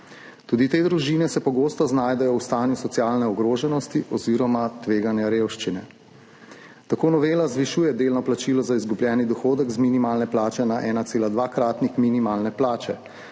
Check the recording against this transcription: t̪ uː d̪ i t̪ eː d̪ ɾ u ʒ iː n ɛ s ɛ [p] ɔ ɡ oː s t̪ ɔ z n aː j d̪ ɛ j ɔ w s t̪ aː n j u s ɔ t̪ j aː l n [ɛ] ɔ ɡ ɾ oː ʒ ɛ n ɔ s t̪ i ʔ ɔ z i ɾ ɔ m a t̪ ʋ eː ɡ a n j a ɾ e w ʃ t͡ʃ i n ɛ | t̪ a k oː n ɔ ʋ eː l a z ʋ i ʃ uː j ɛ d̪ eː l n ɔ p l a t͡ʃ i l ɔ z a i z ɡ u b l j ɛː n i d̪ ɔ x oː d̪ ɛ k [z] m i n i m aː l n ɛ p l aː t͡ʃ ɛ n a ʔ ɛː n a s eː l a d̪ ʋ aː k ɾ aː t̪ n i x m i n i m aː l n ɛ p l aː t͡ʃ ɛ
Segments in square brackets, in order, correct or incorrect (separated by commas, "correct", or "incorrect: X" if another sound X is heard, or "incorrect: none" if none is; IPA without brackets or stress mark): correct, correct, correct